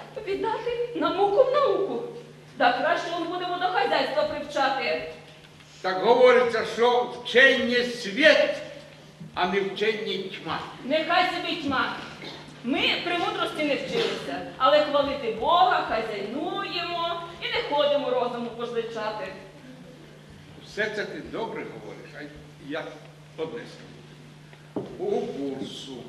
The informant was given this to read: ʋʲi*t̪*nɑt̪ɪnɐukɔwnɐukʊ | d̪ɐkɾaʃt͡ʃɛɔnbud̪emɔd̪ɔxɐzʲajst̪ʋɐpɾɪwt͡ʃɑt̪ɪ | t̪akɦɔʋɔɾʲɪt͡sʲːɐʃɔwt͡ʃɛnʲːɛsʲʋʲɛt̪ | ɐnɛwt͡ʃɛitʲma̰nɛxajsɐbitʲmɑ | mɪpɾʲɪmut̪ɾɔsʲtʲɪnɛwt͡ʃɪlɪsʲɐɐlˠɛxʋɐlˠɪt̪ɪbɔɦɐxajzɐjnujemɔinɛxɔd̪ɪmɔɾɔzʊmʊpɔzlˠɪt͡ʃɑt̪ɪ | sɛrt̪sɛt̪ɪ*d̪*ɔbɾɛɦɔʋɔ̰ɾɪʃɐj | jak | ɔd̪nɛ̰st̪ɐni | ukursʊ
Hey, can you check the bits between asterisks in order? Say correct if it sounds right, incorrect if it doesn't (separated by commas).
incorrect, correct